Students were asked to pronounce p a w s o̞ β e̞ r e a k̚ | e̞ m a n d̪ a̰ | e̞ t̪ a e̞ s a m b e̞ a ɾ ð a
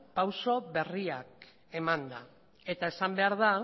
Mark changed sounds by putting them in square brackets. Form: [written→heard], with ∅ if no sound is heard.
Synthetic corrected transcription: p a w s o̞ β e̞ r [e→i] a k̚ | e̞ m a n d̪ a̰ | e̞ t̪ a e̞ s a m b e̞ a ɾ ð a